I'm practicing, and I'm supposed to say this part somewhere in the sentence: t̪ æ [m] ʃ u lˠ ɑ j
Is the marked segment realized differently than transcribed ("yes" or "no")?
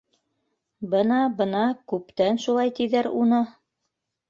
yes